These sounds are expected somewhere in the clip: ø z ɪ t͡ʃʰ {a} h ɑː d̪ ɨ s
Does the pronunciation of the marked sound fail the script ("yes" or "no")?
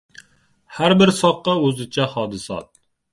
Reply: yes